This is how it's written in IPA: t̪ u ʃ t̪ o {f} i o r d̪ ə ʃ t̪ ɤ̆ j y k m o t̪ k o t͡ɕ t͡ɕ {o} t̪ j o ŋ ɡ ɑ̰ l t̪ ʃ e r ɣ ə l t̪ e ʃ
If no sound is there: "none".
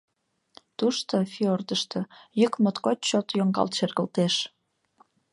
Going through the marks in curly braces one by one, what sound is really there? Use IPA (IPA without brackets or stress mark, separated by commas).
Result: f, o